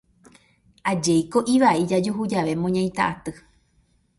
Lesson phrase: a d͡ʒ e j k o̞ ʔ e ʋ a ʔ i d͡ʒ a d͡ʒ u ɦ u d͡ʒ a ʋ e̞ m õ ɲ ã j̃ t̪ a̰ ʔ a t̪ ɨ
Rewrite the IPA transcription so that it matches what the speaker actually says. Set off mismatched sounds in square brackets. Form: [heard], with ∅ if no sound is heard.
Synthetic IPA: a d͡ʒ e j k o̞ ʔ [i] ʋ a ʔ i d͡ʒ a d͡ʒ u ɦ u d͡ʒ a ʋ e̞ m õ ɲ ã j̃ t̪ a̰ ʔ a t̪ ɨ